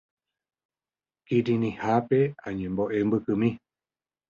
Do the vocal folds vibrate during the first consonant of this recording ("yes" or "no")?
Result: no